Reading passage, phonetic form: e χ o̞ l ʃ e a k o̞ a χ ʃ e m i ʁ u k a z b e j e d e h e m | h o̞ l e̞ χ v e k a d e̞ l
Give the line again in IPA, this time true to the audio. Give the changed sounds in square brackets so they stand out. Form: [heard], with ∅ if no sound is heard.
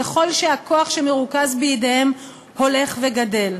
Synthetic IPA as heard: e χ o̞ l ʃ e a k o̞ a χ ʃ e m [e] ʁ u k a z b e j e d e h e m | h o̞ l e̞ χ v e [ɡ] a d e̞ l